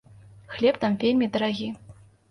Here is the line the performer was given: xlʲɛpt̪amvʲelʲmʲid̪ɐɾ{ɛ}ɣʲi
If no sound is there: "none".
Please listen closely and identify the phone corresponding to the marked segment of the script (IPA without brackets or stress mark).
a